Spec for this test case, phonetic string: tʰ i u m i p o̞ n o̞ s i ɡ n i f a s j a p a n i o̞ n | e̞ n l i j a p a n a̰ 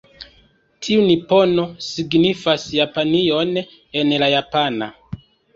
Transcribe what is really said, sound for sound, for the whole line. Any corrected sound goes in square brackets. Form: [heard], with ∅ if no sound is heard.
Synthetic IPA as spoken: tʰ i u [n] i p o̞ n o̞ s i ɡ n i f a s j a p a n i o̞ n | e̞ n l [a] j a p a n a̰